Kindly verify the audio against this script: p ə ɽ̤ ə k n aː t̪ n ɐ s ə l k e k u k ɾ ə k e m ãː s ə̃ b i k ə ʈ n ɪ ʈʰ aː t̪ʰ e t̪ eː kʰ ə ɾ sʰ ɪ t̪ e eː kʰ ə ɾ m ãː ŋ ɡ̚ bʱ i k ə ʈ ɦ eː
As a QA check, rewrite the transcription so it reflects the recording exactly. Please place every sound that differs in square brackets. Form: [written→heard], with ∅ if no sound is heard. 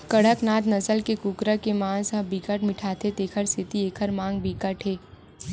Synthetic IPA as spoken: [p→k] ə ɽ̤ ə k n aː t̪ n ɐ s ə l k e k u k ɾ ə k e m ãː s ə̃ b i k ə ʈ [n→m] ɪ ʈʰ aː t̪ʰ e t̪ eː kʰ ə ɾ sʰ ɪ t̪ [e→i] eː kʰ ə ɾ m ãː ŋ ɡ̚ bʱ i k ə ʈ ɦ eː